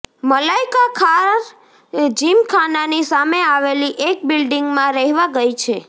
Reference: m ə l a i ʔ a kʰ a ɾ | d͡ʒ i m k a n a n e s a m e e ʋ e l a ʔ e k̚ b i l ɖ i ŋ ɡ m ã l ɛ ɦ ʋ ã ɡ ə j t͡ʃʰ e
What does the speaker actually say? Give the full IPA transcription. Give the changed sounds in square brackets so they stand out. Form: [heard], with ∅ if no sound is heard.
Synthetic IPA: m ə l a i [k] a kʰ a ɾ | d͡ʒ i m [kʰ] a n a n [i] s a m e [a] ʋ e l [i] ʔ e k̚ b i l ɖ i ŋ ɡ m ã [ɾ] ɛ ɦ ʋ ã ɡ ə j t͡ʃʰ e